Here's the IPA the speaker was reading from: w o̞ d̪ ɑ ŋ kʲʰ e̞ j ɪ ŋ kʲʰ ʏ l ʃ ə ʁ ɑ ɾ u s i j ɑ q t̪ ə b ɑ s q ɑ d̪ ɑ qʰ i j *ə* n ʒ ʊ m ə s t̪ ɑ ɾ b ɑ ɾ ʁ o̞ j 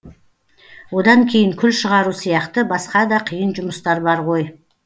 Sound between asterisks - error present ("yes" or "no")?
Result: no